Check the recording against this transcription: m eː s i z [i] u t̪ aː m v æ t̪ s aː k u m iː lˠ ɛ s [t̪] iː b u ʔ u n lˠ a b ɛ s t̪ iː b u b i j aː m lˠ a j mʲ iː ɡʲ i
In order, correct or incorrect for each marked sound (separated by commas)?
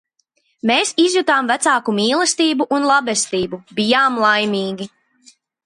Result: incorrect, correct